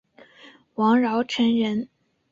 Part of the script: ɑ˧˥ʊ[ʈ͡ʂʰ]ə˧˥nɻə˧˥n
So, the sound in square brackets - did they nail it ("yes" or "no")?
yes